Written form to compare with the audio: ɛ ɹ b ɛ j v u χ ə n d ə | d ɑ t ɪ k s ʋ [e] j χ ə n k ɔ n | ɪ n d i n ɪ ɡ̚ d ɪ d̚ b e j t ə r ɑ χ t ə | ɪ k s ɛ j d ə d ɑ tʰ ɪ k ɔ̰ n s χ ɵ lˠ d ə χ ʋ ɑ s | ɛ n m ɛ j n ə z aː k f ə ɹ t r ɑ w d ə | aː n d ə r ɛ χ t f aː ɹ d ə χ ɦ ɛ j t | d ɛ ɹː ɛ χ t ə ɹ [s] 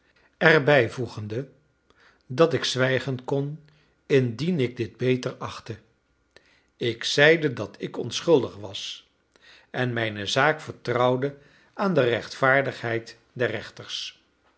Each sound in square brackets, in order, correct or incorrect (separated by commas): incorrect, correct